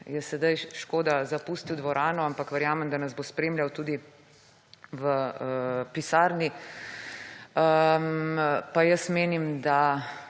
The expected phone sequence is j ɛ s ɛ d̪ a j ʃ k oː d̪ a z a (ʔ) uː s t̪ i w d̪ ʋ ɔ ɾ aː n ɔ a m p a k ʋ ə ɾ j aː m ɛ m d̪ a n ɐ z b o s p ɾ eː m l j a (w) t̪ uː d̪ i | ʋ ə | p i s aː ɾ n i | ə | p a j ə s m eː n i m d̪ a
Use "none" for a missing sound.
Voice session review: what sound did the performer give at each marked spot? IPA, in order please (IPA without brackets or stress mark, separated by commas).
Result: p, w